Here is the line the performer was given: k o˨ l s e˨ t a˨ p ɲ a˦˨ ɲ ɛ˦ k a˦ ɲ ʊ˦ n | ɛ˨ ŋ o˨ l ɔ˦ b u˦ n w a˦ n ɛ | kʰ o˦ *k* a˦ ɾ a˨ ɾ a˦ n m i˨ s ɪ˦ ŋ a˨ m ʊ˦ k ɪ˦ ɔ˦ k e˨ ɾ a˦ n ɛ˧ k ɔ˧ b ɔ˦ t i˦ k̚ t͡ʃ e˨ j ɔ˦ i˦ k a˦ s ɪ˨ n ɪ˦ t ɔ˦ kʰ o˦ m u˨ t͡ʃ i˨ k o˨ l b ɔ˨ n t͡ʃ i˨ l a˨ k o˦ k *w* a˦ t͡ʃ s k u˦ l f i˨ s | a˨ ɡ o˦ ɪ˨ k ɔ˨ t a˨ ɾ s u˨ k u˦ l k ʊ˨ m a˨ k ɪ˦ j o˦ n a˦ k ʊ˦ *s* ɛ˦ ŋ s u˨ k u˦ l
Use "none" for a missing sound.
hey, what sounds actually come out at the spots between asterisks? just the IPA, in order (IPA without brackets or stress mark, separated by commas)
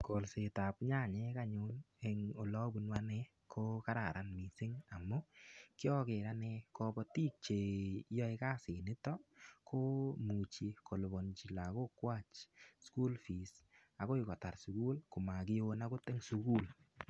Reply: k, w, t